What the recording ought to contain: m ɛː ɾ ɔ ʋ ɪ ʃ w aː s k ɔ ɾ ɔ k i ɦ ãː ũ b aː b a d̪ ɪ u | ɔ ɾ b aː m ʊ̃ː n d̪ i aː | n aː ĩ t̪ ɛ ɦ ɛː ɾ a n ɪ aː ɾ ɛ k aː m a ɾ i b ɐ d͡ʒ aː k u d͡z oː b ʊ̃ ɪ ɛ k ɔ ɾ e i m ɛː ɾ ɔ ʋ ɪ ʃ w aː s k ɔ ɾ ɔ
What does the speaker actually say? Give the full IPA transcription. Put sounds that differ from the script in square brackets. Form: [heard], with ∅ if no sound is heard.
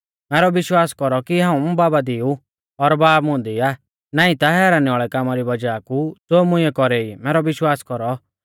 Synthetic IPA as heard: m ɛː ɾ ɔ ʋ ɪ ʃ w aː s k ɔ ɾ ɔ k i ɦ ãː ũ b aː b a d̪ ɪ u | ɔ ɾ b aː m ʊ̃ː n d̪ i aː | n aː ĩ t̪ [a] ɦ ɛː ɾ a n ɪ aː [ɭ] ɛ k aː m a ɾ i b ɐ d͡ʒ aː k u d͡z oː [m] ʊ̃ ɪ ɛ k ɔ ɾ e i m ɛː ɾ ɔ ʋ ɪ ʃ w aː s k ɔ ɾ ɔ

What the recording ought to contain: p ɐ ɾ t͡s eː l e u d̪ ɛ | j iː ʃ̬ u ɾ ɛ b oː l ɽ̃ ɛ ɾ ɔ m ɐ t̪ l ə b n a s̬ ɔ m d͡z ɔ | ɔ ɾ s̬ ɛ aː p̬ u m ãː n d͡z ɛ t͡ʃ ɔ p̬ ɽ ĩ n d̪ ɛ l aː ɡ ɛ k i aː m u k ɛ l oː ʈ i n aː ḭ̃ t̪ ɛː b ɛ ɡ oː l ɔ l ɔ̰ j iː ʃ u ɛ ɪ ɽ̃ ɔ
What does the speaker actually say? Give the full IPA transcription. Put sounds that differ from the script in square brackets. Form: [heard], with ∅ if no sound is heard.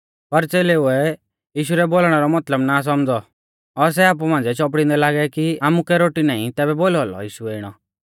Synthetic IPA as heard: p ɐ ɾ t͡s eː l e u [∅] ɛ | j iː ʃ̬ u ɾ ɛ b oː l ɽ̃ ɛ ɾ ɔ m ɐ t̪ l ə b n a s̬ ɔ m d͡z ɔ | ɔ ɾ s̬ ɛ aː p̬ u m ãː n d͡z ɛ t͡ʃ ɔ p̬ ɽ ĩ n d̪ ɛ l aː ɡ ɛ k i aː m u k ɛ [ɾ] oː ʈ i n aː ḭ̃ t̪ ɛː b ɛ [b] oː l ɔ l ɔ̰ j iː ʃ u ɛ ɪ ɽ̃ ɔ

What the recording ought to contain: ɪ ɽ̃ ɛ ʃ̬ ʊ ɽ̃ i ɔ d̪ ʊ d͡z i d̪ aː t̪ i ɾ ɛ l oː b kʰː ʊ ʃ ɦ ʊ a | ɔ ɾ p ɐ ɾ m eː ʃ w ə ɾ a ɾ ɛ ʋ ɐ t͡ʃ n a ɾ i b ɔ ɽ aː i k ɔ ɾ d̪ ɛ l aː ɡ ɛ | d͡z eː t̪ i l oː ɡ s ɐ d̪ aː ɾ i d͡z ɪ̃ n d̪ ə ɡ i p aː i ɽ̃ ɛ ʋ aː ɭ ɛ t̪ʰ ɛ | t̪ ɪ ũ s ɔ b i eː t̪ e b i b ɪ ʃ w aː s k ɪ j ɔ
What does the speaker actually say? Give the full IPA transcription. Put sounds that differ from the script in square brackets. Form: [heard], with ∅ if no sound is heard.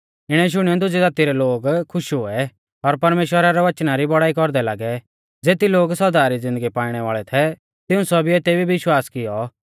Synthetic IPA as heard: ɪ ɽ̃ ɛ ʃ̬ ʊ ɽ̃ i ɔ d̪ ʊ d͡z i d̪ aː t̪ i ɾ ɛ l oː [ɡ] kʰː ʊ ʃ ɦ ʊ [ɛ] | ɔ ɾ p ɐ ɾ m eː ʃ w ə ɾ a ɾ ɛ ʋ ɐ t͡ʃ n a ɾ i b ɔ ɽ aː i k ɔ ɾ d̪ ɛ l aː ɡ ɛ | d͡z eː t̪ i l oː ɡ s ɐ d̪ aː ɾ i d͡z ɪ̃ n d̪ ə ɡ i p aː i ɽ̃ ɛ ʋ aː ɭ ɛ t̪ʰ ɛ | t̪ ɪ ũ s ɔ b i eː t̪ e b i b ɪ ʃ w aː s k ɪ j ɔ

